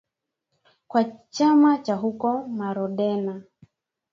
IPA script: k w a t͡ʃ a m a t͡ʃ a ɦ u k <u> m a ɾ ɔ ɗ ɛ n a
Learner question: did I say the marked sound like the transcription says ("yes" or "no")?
no